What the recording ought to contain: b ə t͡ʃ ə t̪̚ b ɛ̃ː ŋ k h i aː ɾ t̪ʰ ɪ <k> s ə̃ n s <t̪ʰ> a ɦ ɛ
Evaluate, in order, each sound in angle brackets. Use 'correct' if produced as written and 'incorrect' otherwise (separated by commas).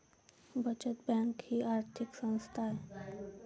correct, correct